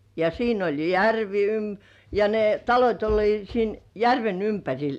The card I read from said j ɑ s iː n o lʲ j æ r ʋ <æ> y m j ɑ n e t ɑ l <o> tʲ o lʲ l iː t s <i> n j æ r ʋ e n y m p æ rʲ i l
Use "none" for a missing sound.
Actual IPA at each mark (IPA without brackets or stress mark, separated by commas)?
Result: i, o, iː